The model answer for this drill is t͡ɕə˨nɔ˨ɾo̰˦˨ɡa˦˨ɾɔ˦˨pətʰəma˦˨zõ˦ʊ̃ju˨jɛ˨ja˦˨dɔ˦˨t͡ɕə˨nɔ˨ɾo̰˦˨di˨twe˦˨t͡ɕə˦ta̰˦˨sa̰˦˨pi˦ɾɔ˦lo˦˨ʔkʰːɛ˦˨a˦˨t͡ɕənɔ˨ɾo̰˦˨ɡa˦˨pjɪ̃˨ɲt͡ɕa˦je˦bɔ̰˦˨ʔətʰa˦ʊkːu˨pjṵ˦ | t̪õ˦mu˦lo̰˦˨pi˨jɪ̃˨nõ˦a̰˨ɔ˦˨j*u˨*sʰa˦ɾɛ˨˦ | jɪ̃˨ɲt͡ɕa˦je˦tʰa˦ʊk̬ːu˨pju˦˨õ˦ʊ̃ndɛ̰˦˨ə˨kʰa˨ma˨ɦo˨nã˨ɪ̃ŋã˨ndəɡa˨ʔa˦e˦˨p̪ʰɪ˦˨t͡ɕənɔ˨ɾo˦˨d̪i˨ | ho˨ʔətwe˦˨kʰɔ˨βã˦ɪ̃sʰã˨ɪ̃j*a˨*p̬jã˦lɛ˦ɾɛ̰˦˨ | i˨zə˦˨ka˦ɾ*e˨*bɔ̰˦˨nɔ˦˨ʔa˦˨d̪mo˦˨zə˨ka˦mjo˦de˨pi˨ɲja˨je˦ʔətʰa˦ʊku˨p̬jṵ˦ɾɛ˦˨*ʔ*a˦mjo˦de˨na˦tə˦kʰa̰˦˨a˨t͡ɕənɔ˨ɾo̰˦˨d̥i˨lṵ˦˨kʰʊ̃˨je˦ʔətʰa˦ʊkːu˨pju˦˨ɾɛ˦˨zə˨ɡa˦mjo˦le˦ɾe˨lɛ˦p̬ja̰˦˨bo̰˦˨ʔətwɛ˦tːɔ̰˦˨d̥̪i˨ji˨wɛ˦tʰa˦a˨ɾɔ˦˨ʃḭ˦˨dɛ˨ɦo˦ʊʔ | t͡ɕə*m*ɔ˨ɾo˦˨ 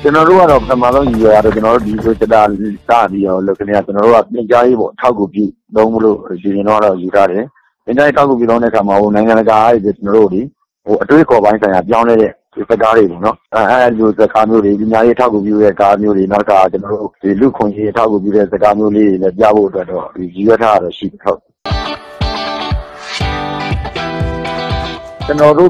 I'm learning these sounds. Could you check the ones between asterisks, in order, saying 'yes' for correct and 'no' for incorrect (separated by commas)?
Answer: yes, yes, yes, no, no